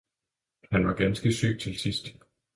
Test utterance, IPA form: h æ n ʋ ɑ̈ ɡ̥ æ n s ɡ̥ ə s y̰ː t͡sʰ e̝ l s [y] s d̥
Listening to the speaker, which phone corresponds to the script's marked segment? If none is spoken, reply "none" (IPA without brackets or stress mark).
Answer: i